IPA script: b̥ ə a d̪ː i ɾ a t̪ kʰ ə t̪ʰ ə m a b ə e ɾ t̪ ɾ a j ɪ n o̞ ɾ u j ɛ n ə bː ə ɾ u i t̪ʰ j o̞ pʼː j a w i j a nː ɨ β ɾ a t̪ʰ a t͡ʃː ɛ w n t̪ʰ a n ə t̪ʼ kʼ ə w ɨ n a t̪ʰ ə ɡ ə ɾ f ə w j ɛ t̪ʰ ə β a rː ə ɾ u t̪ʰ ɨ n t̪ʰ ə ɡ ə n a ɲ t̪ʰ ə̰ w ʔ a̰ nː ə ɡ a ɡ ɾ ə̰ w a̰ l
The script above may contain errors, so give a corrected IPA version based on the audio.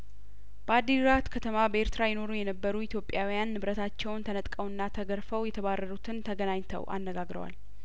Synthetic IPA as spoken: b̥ ə a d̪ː i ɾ a t̪ kʰ ə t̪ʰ ə m a b ə e ɾ t̪ ɾ a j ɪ n o̞ ɾ u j ɛ n ə bː ə ɾ u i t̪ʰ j o̞ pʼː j a w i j a nː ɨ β ɾ ə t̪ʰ a t͡ʃː ɛ w n t̪ʰ ə n ə t̪ʼ kʼ ə w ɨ nː a t̪ʰ ə ɡ ə ɾ f ə w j ɛ t̪ʰ ə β a rː ə ɾ u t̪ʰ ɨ n t̪ʰ ə ɡ ə n a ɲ t̪ʰ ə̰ w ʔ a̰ nː ə ɡ a ɡ ɾ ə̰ w a̰ l